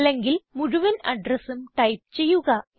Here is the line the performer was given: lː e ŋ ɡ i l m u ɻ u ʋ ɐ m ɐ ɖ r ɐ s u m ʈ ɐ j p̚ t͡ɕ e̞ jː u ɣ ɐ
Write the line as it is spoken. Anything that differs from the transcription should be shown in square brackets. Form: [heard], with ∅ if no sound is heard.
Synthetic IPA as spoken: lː e ŋ ɡ i l m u ɻ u ʋ ɐ [n] ɐ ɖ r ɐ s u m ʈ ɐ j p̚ t͡ɕ e̞ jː u ɣ ɐ